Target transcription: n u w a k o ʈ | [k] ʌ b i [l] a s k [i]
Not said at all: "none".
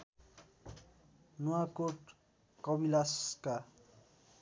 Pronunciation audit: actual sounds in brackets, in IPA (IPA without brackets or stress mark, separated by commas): k, l, a